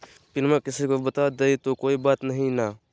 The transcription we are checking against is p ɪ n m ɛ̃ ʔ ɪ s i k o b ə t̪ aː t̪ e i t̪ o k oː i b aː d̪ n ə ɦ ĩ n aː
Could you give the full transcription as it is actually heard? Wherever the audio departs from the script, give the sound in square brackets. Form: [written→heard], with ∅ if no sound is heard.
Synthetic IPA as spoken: p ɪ n m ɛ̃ [ʔ→k] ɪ s i k o b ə t̪ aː [t̪→d̪] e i t̪ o k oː i b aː [d̪→t̪] n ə ɦ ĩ n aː